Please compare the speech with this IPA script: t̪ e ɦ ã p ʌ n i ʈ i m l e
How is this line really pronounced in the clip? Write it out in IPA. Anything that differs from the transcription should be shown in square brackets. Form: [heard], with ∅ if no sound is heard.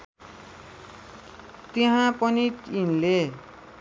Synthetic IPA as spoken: t̪ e ɦ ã p ʌ n i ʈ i [n] l e